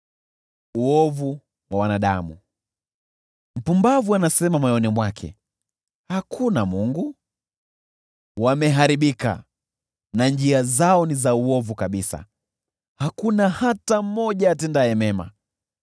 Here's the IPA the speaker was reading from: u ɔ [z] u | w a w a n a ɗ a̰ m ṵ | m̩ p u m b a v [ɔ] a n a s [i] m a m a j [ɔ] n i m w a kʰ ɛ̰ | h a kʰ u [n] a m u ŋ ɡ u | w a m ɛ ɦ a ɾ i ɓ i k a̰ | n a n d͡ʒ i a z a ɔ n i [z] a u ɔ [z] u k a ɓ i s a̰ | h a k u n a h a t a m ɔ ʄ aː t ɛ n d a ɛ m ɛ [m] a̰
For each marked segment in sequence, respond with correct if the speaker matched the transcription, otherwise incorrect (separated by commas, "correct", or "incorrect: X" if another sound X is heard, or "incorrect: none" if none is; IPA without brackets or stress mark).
incorrect: v, incorrect: u, incorrect: ɛ, correct, correct, correct, incorrect: v, correct